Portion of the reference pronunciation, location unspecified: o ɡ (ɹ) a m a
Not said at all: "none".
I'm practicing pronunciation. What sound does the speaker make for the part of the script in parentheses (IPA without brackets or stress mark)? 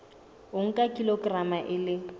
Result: r